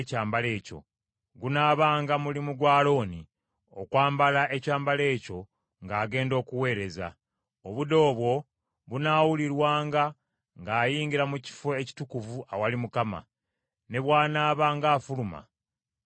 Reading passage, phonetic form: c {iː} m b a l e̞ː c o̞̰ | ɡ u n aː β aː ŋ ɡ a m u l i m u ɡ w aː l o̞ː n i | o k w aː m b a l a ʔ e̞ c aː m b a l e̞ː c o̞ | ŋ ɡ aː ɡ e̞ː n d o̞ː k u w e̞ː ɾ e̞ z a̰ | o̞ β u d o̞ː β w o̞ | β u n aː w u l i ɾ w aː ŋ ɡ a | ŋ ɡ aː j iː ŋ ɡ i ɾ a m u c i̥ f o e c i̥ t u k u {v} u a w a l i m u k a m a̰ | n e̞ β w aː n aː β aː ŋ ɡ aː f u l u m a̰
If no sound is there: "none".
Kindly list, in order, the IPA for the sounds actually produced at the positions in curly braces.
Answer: aː, v

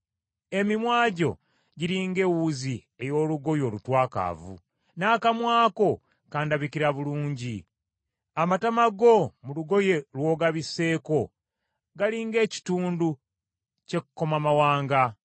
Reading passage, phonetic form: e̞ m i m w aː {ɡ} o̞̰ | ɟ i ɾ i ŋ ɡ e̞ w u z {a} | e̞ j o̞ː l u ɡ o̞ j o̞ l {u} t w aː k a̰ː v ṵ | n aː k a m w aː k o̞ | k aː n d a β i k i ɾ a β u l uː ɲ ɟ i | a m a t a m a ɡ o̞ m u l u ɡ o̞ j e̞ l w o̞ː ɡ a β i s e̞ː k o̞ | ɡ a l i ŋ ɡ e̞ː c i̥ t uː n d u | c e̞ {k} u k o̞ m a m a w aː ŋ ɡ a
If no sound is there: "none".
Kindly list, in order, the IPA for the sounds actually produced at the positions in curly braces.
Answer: ɟ, i, u, k

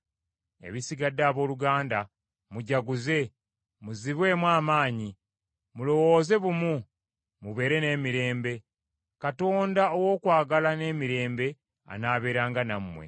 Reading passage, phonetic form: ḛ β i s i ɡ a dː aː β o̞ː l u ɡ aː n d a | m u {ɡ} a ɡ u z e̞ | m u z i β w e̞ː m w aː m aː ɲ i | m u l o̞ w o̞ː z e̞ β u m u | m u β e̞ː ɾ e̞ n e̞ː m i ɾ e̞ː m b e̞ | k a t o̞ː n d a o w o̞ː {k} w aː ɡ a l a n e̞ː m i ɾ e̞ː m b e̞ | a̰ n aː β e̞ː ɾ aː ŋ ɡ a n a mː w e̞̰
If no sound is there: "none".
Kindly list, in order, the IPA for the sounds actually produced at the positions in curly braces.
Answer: ɟ, k

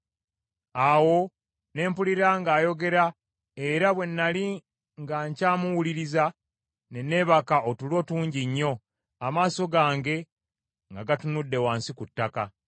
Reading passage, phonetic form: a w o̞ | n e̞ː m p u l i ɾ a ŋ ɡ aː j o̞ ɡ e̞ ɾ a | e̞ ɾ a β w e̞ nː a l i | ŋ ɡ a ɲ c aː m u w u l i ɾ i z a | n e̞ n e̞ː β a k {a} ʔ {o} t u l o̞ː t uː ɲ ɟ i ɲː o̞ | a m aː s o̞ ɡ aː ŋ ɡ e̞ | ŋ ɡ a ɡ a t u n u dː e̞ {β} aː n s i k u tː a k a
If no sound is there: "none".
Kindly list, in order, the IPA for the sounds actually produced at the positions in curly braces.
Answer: a, o, w

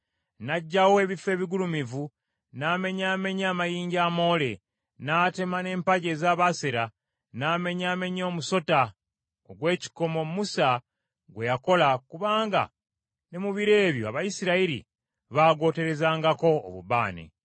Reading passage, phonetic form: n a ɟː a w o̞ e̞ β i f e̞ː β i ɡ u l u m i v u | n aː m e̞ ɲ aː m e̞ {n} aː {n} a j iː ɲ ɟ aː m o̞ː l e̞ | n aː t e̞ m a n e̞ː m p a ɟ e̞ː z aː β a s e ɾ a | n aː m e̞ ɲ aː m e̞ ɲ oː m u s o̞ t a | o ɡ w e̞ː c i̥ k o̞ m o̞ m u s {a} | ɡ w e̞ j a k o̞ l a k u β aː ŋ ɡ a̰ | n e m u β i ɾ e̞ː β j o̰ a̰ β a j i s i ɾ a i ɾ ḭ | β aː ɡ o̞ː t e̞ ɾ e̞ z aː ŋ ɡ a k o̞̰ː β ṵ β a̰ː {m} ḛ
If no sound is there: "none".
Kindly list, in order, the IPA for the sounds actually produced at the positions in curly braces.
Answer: ɲ, m, a, n

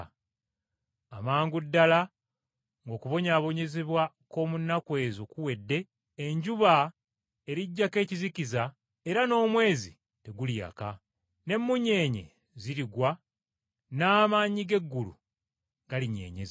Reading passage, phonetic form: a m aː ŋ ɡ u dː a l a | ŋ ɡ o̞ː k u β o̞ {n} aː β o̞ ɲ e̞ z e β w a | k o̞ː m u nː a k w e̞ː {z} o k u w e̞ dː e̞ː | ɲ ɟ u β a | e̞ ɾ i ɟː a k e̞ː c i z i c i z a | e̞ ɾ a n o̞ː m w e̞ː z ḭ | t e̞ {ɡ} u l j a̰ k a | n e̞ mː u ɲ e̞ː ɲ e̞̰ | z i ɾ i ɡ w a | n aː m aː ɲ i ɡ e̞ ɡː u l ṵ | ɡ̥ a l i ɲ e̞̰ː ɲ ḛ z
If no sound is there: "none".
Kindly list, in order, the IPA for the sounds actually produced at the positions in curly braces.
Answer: ɲ, z, ɡ

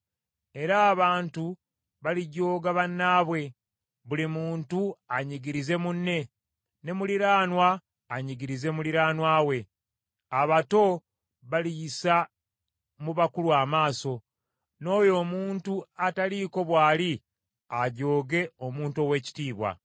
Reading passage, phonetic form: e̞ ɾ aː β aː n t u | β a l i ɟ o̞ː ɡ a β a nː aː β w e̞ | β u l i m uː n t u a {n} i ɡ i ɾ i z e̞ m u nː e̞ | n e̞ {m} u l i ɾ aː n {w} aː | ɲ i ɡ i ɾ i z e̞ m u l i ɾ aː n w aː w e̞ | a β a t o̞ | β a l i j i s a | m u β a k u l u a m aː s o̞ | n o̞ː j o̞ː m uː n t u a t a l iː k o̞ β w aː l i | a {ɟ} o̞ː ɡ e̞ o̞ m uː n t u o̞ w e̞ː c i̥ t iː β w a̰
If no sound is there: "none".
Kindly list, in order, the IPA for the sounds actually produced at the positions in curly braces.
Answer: ɲ, m, w, ɟ

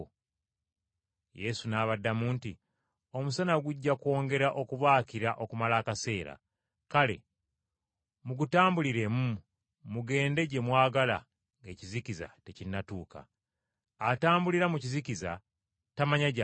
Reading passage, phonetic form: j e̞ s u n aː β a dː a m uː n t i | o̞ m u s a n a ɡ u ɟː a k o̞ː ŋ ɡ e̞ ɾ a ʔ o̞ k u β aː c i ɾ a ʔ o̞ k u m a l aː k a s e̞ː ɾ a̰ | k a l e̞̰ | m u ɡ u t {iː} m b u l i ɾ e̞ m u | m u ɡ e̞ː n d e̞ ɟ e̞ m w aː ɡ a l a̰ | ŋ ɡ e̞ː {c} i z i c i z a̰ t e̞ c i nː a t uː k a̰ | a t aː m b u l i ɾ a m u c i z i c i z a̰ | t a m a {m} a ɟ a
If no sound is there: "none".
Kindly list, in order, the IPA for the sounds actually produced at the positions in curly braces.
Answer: aː, c, ɲ

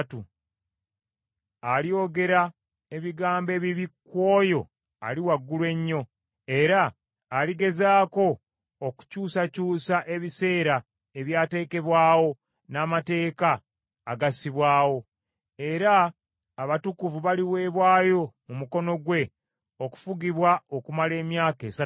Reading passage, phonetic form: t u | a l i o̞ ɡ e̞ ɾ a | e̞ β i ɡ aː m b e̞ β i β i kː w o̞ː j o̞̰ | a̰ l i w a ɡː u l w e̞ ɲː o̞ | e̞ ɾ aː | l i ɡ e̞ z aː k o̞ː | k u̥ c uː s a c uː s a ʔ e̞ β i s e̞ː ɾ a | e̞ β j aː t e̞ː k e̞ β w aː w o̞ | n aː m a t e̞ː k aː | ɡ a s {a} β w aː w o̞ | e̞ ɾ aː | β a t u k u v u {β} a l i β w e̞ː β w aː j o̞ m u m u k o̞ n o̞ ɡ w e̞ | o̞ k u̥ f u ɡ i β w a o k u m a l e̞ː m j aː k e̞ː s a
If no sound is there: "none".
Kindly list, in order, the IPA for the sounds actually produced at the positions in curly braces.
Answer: i, β

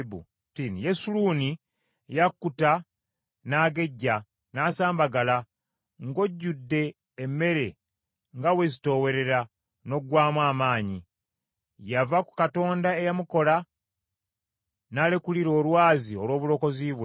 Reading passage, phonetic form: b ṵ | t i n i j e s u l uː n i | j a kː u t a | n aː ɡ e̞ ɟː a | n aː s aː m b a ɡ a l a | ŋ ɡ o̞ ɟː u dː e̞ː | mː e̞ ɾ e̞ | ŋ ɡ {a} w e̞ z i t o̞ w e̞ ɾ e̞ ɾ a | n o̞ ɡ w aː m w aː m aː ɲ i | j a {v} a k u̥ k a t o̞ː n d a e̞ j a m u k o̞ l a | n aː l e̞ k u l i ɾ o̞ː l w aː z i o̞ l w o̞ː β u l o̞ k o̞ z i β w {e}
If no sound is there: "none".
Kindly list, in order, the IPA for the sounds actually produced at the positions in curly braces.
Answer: a, v, e

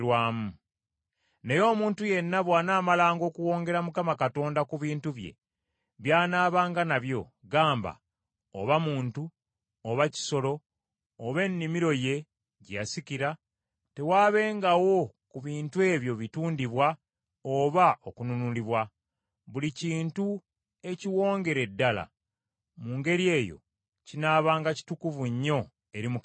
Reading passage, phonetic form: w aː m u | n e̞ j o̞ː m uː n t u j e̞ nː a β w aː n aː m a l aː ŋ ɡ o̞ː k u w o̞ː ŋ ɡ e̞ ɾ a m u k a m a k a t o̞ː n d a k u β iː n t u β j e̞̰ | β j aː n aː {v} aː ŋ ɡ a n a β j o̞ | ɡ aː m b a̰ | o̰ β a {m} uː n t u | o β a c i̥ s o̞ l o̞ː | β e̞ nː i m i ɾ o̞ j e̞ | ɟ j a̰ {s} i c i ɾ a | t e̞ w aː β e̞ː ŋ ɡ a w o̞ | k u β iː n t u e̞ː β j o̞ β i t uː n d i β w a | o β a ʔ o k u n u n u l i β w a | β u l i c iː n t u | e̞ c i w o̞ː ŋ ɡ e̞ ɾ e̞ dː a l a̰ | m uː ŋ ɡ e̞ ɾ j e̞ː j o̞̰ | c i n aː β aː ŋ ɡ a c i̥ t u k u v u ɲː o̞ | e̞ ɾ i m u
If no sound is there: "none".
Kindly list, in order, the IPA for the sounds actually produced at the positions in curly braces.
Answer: β, m, s

